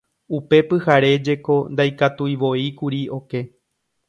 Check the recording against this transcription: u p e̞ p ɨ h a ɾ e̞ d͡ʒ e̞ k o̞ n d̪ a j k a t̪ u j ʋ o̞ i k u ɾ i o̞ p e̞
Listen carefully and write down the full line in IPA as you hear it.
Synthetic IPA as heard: u p e̞ p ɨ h a ɾ e̞ d͡ʒ e̞ k o̞ n d̪ a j k a t̪ u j ʋ o̞ i k u ɾ i o̞ k e̞